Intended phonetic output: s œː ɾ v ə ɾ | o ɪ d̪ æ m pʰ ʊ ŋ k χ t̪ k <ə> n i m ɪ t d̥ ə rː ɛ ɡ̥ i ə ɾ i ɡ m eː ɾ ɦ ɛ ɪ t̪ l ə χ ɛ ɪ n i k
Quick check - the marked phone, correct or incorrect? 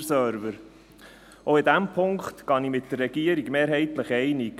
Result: incorrect